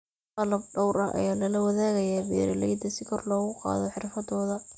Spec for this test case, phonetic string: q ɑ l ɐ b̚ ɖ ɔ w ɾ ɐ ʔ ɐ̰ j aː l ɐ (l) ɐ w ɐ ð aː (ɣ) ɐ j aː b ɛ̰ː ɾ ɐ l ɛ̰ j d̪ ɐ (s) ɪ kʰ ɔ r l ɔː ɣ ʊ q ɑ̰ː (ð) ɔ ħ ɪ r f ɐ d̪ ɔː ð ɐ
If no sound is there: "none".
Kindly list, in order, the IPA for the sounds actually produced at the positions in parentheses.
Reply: l, ɣ, s, ð

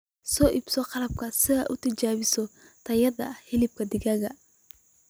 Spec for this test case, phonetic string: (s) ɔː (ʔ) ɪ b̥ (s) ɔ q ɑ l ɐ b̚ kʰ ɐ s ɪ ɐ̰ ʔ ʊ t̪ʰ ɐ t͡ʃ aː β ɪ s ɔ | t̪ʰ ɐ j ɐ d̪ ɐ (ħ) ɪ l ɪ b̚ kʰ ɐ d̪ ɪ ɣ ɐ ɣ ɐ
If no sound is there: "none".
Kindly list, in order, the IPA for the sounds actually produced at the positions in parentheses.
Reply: s, ʔ, s, h

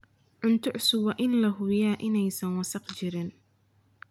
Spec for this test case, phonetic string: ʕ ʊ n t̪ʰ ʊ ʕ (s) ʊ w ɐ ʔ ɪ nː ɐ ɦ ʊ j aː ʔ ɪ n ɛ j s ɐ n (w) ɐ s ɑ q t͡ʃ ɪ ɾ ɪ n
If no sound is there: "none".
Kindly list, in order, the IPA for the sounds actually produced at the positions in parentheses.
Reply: s, w

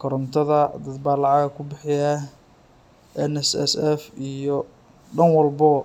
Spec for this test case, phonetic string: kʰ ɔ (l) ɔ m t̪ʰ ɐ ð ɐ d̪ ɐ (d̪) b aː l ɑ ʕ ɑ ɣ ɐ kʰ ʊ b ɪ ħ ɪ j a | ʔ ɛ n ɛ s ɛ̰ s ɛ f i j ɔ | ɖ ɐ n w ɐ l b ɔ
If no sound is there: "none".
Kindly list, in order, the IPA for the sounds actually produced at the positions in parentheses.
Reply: ɾ, d̪

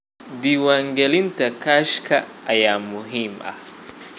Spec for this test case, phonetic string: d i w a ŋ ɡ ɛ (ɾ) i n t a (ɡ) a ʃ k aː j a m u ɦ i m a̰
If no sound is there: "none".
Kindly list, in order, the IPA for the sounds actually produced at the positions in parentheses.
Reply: l, k

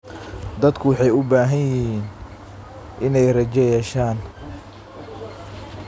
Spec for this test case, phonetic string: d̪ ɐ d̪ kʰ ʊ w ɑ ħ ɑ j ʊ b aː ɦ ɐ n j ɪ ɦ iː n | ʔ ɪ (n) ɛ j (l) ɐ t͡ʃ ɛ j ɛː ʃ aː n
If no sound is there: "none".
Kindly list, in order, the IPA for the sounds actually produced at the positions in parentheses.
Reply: n, r

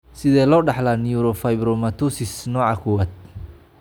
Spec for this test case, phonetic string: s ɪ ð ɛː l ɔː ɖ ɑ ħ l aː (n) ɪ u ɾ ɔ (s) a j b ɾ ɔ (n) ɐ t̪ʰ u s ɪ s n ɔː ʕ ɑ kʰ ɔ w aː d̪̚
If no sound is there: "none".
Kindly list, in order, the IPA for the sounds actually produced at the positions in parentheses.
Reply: n, f, m

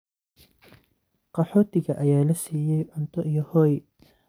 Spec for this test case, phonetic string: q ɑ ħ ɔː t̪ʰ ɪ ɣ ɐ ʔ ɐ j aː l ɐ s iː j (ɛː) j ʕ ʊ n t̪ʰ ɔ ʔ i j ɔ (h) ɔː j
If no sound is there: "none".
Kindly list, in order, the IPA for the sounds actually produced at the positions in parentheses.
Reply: ɛ, h

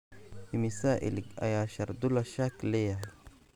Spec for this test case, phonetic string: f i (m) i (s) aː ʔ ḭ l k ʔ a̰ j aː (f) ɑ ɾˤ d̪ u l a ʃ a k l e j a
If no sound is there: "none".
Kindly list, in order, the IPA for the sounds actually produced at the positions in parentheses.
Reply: m, s, ʃ

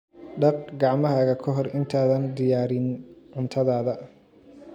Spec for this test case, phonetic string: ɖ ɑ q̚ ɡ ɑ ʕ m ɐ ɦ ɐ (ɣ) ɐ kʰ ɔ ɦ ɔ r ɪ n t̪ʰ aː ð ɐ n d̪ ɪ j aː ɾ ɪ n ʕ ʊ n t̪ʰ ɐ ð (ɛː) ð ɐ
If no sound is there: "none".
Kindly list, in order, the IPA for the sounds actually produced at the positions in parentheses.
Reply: ɣ, aː

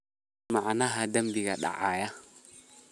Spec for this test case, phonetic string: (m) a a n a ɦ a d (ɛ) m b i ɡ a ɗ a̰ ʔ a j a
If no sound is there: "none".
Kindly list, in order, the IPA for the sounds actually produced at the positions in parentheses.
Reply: m, a

